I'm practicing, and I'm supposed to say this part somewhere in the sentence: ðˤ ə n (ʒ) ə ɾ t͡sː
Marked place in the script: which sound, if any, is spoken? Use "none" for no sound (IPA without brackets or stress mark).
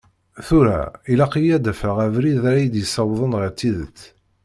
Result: ʁ